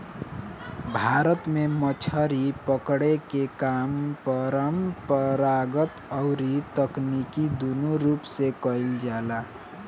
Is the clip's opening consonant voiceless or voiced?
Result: voiced